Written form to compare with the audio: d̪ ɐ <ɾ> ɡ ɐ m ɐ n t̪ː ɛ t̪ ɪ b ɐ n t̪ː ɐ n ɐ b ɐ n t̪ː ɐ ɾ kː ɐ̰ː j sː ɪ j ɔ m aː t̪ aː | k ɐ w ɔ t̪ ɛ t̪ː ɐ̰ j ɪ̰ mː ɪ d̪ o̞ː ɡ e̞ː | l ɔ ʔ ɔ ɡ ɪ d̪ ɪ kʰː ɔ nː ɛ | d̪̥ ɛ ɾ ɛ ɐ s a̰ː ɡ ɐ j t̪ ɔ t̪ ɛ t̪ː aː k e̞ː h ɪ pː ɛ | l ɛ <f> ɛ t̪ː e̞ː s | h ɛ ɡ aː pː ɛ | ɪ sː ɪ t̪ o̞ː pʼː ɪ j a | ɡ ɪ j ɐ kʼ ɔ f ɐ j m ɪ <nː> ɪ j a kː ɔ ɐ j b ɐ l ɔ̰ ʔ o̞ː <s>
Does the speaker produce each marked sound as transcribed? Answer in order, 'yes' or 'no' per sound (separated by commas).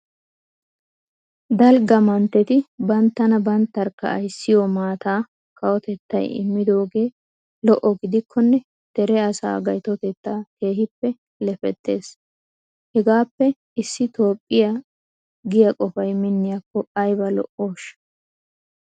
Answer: no, yes, yes, no